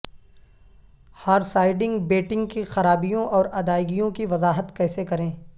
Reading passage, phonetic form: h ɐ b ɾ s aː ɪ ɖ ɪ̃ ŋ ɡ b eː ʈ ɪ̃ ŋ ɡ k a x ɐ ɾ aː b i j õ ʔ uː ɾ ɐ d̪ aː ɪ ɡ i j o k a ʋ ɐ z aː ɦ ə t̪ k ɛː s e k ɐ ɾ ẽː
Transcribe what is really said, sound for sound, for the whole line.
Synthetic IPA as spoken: h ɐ ɾ s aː ɪ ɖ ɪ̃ ŋ ɡ b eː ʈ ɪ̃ ŋ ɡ k i x ɐ ɾ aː b i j õ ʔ ɔː ɾ ɐ d̪ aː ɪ ɡ i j õ k i ʋ ɐ z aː ɦ ə t̪ k ɛː s e k ɐ ɾ ẽː